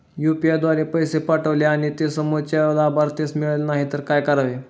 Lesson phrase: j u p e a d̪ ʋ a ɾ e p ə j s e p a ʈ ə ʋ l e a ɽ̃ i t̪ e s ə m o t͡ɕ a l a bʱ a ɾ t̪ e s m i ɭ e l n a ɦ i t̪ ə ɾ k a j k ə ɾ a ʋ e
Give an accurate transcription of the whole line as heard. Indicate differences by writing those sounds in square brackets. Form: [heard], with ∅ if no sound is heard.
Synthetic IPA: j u p [i] a d̪ ʋ a ɾ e p ə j s e p a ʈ ə ʋ l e a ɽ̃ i t̪ e s ə m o t͡ɕ a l a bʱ a ɾ t̪ e s m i ɭ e l n a ɦ i t̪ ə ɾ k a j k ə ɾ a ʋ e